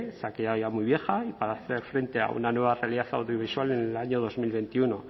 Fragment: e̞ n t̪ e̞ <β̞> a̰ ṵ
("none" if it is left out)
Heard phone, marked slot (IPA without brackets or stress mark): none